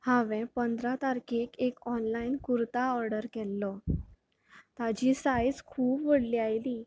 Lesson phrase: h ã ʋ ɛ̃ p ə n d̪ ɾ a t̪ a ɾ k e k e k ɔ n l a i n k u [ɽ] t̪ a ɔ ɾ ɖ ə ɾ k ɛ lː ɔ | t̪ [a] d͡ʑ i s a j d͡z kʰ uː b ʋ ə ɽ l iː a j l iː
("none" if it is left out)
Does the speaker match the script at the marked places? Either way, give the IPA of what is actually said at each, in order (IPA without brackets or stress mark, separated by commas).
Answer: ɾ, a